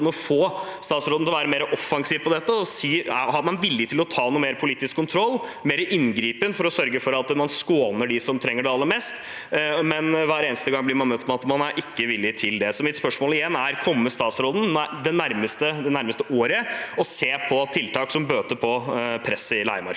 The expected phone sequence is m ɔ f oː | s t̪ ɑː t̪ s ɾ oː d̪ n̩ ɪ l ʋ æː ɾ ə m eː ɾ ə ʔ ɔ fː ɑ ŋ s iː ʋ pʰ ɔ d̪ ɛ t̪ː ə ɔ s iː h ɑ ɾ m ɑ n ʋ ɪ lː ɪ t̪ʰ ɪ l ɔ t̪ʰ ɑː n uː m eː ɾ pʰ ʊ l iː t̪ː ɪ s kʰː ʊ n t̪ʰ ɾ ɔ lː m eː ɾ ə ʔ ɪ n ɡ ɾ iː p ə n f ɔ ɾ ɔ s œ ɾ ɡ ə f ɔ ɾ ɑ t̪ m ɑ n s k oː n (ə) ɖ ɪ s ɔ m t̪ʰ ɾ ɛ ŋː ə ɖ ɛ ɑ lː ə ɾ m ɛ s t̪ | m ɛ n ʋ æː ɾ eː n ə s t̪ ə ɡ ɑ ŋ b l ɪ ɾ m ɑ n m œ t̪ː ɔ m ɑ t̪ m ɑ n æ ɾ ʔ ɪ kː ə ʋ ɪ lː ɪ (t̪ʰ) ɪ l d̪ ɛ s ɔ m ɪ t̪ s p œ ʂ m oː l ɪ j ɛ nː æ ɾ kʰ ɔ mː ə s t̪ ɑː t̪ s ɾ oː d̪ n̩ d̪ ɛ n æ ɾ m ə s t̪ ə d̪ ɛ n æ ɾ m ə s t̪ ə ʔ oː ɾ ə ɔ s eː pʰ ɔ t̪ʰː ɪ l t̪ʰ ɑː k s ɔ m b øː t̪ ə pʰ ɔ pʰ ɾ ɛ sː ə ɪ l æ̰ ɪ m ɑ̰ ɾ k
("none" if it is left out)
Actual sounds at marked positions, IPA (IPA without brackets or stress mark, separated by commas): ə, t̪ʰ